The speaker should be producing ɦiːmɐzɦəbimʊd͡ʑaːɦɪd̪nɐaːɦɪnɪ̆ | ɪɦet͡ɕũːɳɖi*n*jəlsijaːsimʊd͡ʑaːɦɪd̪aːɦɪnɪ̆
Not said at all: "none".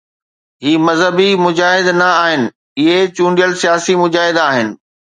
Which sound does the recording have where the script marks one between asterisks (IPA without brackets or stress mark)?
none